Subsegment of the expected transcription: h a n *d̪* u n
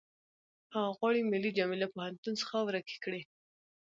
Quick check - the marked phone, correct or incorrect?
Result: incorrect